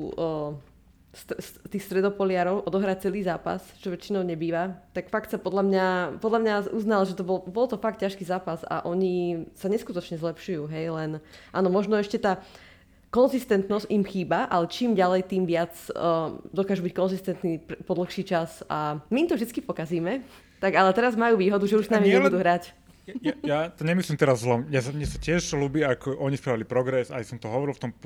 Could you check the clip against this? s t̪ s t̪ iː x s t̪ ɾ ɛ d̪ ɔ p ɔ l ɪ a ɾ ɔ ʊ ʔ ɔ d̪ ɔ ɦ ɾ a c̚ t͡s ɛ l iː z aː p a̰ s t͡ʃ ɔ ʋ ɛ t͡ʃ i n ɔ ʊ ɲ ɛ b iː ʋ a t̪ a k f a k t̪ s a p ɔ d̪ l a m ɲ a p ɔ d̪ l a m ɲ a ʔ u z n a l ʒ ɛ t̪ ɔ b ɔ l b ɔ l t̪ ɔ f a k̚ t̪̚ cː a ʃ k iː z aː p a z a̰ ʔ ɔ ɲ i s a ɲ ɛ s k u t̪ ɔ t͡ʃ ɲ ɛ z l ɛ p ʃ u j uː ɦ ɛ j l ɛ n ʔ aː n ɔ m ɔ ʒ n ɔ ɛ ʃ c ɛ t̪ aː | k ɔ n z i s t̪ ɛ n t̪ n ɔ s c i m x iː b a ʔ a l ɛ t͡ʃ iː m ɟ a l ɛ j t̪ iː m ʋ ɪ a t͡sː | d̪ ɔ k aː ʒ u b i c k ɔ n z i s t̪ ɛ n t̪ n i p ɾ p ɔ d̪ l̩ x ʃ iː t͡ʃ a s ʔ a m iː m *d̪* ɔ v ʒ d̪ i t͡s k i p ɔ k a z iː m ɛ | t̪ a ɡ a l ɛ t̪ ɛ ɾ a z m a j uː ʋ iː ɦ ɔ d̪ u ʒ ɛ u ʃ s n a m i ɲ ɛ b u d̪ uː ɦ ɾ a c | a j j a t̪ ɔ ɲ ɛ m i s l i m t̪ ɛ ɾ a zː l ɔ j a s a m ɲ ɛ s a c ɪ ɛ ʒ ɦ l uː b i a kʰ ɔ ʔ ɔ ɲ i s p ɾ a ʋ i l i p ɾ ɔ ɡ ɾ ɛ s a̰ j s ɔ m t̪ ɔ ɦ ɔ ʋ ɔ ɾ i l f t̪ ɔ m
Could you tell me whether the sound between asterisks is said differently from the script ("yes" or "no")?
yes